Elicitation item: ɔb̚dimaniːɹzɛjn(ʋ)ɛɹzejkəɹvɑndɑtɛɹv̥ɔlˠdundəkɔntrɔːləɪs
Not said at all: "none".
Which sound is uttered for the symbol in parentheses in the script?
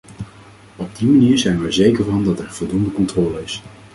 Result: ʋ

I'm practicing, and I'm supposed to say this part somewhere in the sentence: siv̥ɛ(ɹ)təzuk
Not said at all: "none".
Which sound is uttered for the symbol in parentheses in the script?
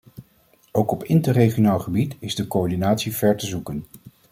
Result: ɹ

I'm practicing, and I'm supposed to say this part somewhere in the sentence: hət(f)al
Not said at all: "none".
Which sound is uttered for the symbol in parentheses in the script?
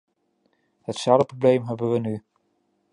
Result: s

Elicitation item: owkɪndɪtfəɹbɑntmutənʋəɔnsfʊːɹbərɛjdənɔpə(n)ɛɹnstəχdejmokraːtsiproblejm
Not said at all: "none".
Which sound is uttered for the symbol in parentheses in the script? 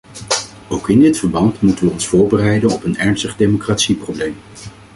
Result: n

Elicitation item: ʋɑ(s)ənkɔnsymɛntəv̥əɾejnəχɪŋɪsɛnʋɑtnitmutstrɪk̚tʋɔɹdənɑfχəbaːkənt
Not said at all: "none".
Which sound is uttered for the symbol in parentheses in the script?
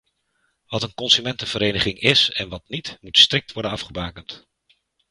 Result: t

